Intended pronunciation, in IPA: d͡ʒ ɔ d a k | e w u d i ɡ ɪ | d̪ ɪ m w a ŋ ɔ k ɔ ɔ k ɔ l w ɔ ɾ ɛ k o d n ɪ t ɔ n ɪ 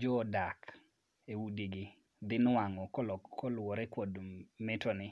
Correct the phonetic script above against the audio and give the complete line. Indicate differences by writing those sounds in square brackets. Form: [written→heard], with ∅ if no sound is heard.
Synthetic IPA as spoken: d͡ʒ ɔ d a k | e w u d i ɡ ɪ | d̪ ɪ [m→n] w a ŋ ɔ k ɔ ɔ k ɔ l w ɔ ɾ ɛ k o d [n→m] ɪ t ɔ n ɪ

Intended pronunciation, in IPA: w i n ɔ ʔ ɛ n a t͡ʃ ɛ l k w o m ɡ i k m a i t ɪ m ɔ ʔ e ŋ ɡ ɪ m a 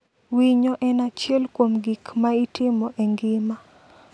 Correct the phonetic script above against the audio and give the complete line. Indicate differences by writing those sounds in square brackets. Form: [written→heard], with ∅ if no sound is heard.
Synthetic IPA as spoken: w i [n→ɲ] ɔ ʔ ɛ n a t͡ʃ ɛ l k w o m ɡ i k m a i t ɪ m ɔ ʔ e ŋ ɡ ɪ m a

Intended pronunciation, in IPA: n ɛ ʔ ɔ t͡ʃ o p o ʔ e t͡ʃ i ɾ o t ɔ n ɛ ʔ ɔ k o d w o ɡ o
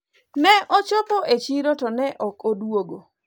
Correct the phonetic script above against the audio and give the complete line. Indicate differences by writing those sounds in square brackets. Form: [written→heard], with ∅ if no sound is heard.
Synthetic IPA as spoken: n ɛ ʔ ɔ t͡ʃ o p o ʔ e t͡ʃ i ɾ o t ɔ n ɛ ʔ ɔ k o d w o ɡ o

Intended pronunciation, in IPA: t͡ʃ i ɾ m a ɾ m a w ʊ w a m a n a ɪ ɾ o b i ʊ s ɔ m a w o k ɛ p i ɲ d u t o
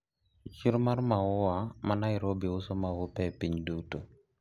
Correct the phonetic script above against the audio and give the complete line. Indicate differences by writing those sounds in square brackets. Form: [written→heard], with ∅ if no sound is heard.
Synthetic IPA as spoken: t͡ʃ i ɾ m a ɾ m a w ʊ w a m a n a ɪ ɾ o b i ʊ s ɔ m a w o [k→p] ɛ p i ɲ d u t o

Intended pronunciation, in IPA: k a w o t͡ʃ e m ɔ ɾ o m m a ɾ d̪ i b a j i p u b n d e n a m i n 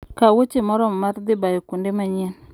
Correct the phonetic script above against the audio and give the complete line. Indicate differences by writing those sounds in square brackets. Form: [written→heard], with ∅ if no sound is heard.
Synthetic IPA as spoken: k a w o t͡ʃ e m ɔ ɾ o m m a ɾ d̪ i b a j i [p→k] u [b→∅] n d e [n→m] a [m→ɲ] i n

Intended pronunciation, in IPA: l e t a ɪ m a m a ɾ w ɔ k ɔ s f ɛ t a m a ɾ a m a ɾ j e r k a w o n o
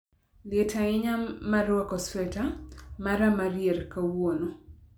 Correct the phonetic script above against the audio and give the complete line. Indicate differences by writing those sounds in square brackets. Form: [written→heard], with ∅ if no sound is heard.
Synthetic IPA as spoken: l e t a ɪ [m→ɲ] a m a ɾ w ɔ k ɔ s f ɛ t a m a ɾ a m a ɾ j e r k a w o n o

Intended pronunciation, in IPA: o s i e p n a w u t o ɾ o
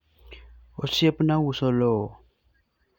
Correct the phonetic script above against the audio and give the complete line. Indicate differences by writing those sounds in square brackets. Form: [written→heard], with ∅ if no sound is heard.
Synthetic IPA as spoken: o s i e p n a w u [t→s] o [ɾ→l] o

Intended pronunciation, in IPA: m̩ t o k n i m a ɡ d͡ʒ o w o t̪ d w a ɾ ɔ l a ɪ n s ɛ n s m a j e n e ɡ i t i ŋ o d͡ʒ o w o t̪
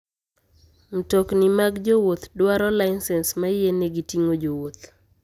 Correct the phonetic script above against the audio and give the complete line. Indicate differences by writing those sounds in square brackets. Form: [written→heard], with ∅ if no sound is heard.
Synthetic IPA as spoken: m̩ t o k n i m a ɡ d͡ʒ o w o t̪ d w a ɾ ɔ l a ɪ n s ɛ n s m a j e n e ɡ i t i ŋ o d͡ʒ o w o t̪

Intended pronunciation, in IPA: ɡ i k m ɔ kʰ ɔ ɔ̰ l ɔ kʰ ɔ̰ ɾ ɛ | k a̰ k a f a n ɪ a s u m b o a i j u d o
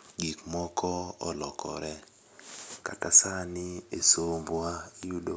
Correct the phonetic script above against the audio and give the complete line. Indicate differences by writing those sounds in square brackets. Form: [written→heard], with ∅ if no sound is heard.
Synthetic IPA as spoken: ɡ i k m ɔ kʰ ɔ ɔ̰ l ɔ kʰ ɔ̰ ɾ ɛ | k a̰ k a [f→s] a n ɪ [a→e] s [u→o] m b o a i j u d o

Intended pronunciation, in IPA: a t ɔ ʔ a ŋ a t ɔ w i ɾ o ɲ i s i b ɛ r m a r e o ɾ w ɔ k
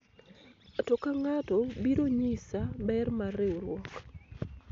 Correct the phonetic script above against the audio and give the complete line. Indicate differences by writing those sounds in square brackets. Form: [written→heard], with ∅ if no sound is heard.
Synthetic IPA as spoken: a t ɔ [ʔ→k] a ŋ a t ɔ [w→b] i ɾ o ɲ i s [i→a] b ɛ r m a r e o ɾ w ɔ k

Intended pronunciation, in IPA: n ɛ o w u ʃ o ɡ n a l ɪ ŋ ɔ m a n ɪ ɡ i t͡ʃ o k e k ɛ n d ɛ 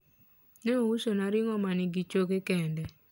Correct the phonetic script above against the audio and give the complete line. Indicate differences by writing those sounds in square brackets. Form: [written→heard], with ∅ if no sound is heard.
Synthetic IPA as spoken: n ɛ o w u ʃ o [ɡ→∅] n a [l→ɾ] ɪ ŋ ɔ m a n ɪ ɡ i t͡ʃ o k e k ɛ n d ɛ

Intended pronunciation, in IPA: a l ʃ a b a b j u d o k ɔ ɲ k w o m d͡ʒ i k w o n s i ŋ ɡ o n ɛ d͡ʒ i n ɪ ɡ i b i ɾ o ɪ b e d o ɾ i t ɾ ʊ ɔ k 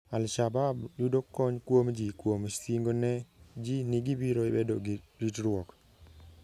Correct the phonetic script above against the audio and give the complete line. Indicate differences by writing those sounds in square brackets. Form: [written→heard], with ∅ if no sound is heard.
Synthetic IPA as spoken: a l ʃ a b a b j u d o k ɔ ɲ k w o m d͡ʒ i k w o [n→m] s i ŋ ɡ o n ɛ d͡ʒ i n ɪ ɡ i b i ɾ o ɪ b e d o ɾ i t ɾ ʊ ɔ k

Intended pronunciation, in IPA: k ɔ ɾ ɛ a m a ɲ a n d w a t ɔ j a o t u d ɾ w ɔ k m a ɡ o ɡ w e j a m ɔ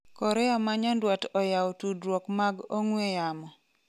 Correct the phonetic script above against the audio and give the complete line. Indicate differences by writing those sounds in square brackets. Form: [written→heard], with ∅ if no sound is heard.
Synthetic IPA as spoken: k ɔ ɾ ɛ a m a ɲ a n d w a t ɔ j a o t u d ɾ w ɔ k m a ɡ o [ɡ→ŋ] w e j a m ɔ

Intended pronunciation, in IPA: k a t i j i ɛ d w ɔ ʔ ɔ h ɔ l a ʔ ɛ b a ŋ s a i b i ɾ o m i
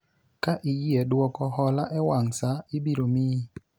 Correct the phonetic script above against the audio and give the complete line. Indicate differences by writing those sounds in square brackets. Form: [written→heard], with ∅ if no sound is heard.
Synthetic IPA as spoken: k a [t→ʔ] i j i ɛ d w ɔ [ʔ→k] ɔ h ɔ l a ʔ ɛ [b→w] a ŋ s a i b i ɾ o m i

